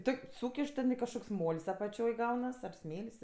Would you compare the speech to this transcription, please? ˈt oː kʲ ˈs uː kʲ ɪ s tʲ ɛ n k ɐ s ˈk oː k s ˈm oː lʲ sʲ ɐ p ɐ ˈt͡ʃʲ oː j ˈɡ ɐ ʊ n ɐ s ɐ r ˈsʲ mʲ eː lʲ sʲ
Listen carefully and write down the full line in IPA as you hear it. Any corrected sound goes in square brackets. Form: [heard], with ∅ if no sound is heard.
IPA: ˈt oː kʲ ˈs uː kʲ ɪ [ʃ] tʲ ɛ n k ɐ [ʃ] ˈk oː k s ˈm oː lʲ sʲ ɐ p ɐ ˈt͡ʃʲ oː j ˈɡ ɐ ʊ n ɐ s ɐ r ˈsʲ mʲ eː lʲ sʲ

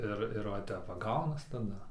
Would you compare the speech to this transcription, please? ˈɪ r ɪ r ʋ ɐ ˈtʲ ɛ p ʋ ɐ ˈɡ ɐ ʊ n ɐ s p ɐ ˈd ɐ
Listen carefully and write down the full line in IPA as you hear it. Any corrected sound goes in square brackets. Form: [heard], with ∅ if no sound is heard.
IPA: ˈɪ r ɪ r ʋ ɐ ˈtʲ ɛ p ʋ ɐ ˈɡ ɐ ʊ n ɐ s [t] ɐ ˈd ɐ

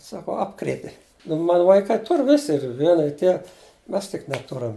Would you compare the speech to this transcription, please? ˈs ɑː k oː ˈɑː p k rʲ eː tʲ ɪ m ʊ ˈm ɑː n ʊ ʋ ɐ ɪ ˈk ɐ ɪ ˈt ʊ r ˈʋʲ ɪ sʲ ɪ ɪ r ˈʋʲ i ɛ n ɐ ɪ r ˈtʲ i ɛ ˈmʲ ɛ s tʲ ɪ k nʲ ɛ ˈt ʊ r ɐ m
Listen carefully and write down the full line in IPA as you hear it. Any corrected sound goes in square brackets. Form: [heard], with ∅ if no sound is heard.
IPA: ˈs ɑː k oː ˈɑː p k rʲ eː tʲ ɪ [n] ʊ ˈm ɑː n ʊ ʋ ɐ ɪ ˈk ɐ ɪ ˈt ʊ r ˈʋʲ ɪ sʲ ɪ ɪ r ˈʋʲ i ɛ n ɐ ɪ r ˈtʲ i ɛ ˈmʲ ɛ s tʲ ɪ k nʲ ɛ ˈt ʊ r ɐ m

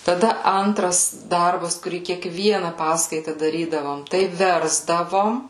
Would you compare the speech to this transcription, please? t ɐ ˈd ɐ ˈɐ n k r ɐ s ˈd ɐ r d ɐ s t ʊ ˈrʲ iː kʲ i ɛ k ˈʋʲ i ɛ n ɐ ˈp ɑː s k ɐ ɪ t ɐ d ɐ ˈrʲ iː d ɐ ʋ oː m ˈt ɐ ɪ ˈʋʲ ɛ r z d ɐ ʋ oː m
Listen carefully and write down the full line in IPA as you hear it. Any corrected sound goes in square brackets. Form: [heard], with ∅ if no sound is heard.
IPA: t ɐ ˈd ɐ ˈɐ n [t] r ɐ s ˈd ɐ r [b] ɐ s [k] ʊ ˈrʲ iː kʲ i ɛ k ˈʋʲ i ɛ n ɐ ˈp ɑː s k ɐ ɪ t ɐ d ɐ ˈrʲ iː d ɐ ʋ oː m ˈt ɐ ɪ ˈʋʲ ɛ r z d ɐ ʋ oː m

